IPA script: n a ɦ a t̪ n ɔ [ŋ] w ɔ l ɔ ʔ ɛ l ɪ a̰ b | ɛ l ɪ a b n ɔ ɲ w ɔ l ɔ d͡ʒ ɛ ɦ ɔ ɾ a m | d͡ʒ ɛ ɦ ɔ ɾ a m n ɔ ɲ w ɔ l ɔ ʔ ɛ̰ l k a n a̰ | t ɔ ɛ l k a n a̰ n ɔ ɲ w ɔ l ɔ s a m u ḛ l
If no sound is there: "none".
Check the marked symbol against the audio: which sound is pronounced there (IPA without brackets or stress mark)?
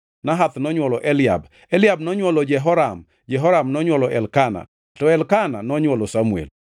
ɲ